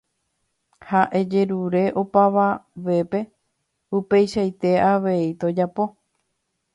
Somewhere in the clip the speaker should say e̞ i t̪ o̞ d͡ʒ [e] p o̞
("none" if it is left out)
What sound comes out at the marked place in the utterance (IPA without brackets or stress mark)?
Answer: a